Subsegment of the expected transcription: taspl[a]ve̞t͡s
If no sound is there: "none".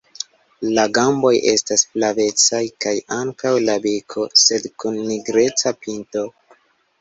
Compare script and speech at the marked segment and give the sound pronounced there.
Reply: a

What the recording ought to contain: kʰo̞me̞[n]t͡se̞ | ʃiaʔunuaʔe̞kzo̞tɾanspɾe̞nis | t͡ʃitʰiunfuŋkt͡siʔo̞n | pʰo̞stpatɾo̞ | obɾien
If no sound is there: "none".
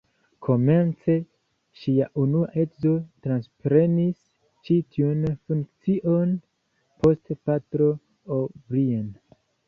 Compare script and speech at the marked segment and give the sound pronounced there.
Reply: n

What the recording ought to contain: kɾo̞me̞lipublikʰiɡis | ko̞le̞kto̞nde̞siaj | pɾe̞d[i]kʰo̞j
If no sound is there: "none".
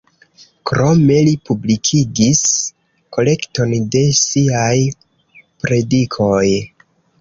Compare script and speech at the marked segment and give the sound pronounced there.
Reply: i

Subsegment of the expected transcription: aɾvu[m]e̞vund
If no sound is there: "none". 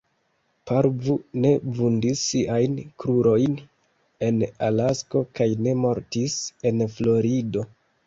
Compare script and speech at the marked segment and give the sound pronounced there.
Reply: n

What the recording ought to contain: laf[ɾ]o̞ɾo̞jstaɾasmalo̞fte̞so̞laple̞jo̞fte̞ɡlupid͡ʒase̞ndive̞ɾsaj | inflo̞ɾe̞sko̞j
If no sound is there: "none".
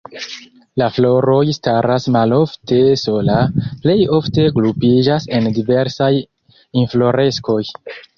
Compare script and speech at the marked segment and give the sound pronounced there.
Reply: l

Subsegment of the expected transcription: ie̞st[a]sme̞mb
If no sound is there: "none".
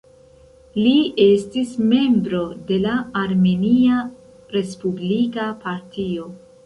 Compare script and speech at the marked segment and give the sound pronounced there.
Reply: i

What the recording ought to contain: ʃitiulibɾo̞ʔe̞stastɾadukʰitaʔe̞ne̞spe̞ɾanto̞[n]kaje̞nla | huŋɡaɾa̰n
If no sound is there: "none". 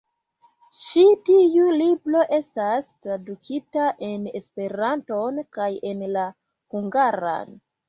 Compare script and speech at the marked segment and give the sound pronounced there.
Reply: n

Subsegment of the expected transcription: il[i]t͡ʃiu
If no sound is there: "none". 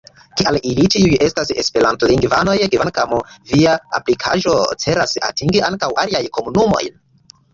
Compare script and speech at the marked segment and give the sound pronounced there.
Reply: i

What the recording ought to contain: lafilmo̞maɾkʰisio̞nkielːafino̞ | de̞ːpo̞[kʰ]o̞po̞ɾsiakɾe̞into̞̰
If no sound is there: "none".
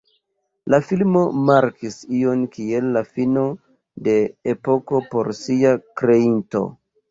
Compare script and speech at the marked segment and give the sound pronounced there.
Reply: k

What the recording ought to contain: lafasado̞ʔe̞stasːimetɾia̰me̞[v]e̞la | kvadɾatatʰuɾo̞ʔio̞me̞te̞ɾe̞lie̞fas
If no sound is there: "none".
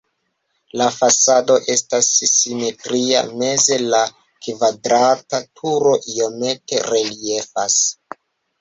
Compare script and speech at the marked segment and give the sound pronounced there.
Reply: z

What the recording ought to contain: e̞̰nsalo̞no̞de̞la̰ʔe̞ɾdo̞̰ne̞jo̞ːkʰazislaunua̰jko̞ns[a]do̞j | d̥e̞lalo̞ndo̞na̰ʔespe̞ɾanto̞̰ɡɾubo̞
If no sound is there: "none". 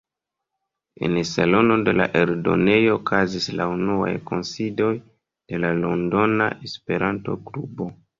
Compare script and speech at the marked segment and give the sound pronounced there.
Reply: i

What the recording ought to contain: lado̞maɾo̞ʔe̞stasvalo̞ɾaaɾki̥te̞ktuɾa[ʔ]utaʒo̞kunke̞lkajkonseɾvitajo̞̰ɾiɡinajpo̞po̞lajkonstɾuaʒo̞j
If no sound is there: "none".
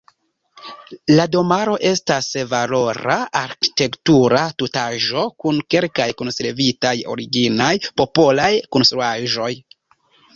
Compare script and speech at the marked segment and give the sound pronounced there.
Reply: t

